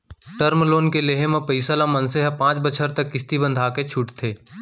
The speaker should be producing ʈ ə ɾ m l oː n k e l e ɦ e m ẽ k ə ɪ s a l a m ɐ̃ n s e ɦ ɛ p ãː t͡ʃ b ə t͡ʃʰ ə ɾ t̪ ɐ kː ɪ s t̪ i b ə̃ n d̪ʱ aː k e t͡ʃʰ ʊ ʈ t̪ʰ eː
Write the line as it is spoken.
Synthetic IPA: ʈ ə ɾ m l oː n k e l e ɦ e m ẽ p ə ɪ s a l a m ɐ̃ n s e ɦ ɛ p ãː t͡ʃ b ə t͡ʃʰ ə ɾ t̪ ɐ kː ɪ s t̪ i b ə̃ n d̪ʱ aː k e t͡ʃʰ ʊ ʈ t̪ʰ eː